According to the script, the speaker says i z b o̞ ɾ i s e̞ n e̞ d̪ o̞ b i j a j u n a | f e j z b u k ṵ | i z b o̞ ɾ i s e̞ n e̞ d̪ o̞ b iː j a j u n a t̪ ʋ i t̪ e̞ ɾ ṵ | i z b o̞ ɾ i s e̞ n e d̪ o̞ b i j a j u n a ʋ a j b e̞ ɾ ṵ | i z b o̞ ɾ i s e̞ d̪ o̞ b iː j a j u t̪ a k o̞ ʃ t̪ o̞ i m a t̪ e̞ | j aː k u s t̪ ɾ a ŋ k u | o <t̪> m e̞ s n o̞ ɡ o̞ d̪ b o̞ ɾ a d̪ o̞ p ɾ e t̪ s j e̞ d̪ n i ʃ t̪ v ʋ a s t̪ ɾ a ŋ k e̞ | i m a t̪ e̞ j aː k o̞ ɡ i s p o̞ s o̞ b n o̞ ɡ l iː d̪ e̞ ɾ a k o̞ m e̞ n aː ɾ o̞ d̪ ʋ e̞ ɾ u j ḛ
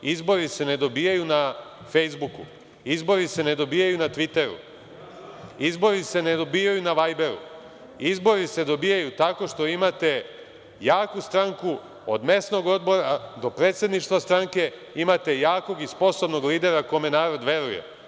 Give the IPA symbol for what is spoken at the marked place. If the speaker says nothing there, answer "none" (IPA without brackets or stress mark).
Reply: d̪